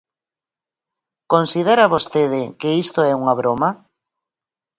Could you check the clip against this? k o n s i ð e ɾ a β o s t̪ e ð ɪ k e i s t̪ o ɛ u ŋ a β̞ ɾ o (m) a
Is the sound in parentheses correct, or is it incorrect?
correct